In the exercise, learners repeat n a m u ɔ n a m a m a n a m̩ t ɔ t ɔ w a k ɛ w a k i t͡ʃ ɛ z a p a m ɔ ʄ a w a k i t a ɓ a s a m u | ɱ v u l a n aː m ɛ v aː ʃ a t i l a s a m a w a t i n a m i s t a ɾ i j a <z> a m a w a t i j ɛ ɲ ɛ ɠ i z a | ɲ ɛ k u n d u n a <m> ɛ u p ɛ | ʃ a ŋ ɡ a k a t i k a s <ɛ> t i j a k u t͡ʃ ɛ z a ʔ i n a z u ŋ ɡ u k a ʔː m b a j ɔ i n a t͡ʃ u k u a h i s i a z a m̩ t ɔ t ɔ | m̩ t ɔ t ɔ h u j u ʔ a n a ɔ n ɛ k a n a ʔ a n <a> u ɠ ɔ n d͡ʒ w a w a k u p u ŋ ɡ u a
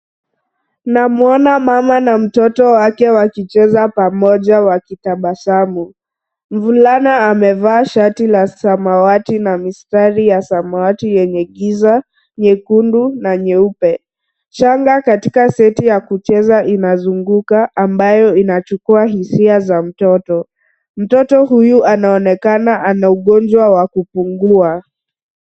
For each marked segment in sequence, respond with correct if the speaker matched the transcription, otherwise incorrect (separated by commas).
incorrect, incorrect, correct, correct